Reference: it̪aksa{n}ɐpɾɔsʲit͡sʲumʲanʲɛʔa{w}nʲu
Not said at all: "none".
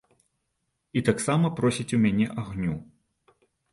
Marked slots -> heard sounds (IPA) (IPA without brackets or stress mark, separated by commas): m, ɣ